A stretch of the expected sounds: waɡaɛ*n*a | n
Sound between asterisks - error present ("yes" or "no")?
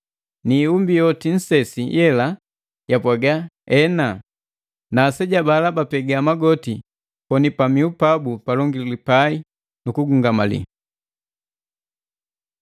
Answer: no